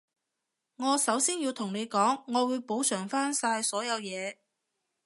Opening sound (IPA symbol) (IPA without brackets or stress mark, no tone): ŋ